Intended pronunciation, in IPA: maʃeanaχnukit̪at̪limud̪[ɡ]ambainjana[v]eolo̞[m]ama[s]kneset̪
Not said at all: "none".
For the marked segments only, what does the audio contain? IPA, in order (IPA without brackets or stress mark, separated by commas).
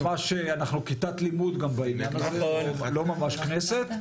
ɡ, z, m, ʃ